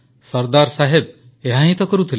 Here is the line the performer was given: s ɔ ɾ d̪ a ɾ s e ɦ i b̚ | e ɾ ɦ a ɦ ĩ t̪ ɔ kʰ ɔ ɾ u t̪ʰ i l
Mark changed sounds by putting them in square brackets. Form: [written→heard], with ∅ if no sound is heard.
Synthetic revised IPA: s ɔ ɾ d̪ a ɾ s [e→a] ɦ [i→e] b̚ | e [ɾ→∅] ɦ a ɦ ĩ t̪ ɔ [kʰ→k] ɔ ɾ u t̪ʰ i l